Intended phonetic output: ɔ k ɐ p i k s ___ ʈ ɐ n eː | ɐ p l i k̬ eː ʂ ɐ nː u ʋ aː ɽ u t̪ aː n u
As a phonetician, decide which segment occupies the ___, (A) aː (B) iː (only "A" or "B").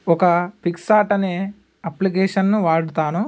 A